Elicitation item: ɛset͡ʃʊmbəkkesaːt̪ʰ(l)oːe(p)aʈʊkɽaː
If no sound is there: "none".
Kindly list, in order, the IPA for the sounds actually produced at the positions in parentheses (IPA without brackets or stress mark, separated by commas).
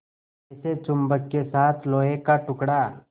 l, k